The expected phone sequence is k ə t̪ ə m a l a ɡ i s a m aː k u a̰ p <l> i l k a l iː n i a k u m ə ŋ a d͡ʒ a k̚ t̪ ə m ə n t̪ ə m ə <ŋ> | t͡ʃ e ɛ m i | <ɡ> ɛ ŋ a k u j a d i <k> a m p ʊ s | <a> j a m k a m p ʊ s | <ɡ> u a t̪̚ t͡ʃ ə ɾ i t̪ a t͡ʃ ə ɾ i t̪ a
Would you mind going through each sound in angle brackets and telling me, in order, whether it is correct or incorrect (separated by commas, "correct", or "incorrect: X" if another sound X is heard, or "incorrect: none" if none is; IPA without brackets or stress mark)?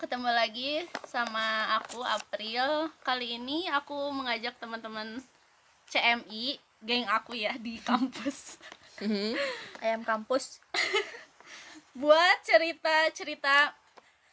incorrect: ɾ, incorrect: n, correct, correct, correct, incorrect: b